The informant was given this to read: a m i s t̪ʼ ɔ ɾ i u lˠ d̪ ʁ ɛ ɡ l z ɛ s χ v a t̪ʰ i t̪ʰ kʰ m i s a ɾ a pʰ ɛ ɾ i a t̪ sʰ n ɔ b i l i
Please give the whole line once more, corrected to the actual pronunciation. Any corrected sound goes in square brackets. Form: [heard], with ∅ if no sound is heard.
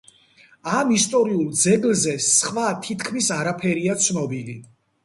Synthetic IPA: a m i s t̪ʼ ɔ ɾ i u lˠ d̪ [z] ɛ ɡ l z ɛ s χ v a t̪ʰ i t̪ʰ kʰ m i s a ɾ a pʰ ɛ ɾ i a t̪ sʰ n ɔ b i l i